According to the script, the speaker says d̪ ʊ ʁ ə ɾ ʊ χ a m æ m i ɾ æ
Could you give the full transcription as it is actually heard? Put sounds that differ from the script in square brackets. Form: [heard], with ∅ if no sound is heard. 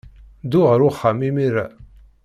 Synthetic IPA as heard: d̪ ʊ ʁ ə ɾ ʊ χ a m [i] m i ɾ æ